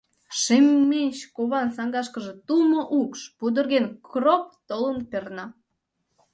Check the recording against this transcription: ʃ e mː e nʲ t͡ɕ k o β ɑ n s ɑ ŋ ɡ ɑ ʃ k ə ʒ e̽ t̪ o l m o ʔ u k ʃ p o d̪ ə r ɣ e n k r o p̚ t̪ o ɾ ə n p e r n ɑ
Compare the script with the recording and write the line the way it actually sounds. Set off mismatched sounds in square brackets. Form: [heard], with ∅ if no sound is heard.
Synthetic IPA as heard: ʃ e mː e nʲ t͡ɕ k o β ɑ n s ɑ ŋ ɡ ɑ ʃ k ə ʒ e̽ t̪ [u] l m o ʔ u k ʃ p [u] d̪ ə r ɣ e n k r o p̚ t̪ o [l] ə n p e r n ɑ